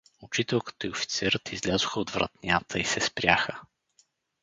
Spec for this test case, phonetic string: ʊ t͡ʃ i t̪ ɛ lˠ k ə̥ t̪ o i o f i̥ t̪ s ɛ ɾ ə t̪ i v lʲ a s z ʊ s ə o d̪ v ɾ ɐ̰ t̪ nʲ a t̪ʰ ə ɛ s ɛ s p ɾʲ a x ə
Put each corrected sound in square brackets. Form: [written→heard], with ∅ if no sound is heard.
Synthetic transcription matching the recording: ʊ t͡ʃ i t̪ ɛ lˠ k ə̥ t̪ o i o f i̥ t̪ s ɛ ɾ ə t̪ i [v→z] lʲ a [s→∅] z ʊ [s→x] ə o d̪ v ɾ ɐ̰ t̪ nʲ a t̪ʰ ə [ɛ→i] s ɛ s p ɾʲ a x ə